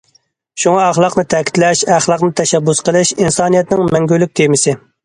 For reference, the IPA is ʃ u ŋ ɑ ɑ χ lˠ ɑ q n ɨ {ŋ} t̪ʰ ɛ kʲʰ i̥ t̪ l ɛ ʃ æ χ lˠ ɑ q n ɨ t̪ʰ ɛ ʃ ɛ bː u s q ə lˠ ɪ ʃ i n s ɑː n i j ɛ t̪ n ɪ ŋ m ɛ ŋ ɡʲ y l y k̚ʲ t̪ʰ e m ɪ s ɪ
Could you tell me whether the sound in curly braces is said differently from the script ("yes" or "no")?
yes